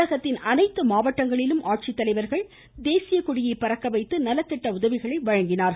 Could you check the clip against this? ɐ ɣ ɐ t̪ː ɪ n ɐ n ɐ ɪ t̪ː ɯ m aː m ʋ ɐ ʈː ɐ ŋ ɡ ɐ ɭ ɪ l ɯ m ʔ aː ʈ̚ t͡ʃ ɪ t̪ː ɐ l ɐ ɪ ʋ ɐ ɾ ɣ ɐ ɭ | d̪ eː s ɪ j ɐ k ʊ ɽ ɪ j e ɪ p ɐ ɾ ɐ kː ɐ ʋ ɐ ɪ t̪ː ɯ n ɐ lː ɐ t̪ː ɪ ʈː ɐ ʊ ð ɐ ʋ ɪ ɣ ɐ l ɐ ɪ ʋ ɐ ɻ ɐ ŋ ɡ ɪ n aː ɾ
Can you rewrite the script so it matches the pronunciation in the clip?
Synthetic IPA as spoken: ɐ ɣ ɐ t̪ː ɪ n ɐ n ɐ ɪ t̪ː ɯ m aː ʋ ɐ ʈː ɐ ŋ ɡ ɐ ɭ ɪ l ɯ m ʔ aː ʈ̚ t͡ʃ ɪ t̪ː ɐ l ɐ ɪ ʋ ɐ ɾ ɣ ɐ ɭ | d̪ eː s ɪ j ɐ k ʊ ɽ ɪ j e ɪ p ɐ ɾ ɐ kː ɐ ʋ ɐ ɪ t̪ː ɯ n ɐ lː ɐ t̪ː ɪ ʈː ɐ ʊ ð ɐ ʋ ɪ ɣ ɐ ɭ ɐ ɪ ʋ ɐ ɻ ɐ ŋ ɡ ɪ n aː ɾ